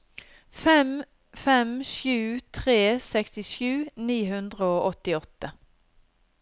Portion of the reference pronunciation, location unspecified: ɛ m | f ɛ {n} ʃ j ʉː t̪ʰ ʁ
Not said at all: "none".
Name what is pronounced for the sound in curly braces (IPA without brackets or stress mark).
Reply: m